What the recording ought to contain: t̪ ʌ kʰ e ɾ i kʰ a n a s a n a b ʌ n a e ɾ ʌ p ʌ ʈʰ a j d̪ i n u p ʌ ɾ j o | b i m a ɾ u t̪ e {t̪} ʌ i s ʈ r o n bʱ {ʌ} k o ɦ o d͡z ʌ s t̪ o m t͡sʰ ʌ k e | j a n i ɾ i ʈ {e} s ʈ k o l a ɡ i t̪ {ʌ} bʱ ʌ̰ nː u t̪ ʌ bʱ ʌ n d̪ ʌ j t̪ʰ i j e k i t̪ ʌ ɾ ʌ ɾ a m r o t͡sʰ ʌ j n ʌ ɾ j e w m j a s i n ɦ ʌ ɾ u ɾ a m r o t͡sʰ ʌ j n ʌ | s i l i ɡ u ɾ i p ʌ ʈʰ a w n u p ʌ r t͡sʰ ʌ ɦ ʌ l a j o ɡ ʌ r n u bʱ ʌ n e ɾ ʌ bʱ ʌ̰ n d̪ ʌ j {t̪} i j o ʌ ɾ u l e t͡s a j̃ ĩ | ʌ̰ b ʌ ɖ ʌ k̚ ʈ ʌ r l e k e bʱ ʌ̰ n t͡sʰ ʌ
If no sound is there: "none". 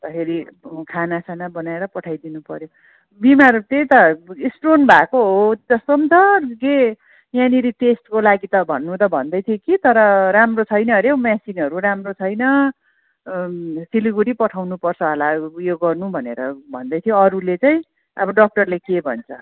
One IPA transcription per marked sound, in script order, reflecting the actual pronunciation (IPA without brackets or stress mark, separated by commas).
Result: t̪, a, e, ʌ, t̪ʰ